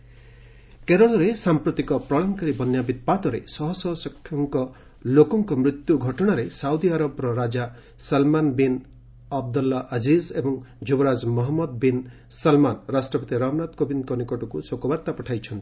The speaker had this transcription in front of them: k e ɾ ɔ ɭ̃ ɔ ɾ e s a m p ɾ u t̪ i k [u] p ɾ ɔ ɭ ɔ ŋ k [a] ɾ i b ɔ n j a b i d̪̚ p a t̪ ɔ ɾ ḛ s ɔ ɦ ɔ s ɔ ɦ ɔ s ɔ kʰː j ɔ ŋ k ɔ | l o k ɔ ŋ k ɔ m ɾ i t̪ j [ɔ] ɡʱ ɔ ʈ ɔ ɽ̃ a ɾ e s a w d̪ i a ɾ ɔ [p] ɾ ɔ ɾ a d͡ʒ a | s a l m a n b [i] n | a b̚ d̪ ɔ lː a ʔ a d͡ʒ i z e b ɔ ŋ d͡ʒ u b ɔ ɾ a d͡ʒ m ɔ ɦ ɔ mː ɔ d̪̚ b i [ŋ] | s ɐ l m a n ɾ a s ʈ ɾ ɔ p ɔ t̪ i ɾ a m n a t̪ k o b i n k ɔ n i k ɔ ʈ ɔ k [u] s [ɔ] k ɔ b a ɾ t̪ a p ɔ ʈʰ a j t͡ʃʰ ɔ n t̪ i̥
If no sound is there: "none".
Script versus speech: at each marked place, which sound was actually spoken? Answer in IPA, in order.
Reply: ɔ, a, u, b, i, n, u, o

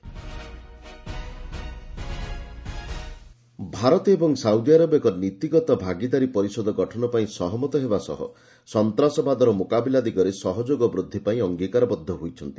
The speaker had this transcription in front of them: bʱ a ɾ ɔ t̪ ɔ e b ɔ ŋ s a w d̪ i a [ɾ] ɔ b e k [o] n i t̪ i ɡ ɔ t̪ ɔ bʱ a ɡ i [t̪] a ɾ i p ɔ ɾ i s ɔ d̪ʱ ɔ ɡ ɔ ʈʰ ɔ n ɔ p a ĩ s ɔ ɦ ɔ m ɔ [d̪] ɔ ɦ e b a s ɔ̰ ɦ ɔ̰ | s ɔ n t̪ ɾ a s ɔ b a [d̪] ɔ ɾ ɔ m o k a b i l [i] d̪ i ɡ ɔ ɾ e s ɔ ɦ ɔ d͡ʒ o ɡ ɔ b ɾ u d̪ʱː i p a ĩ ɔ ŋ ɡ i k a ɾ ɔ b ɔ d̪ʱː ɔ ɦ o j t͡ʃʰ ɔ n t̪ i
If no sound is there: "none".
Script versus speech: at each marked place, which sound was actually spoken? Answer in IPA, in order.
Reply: ɾ, ɔ, d̪, t̪, d̪, a

